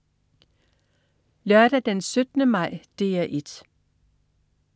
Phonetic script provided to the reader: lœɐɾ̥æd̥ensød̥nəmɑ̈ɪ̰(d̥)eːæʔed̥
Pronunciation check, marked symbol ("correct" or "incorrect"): correct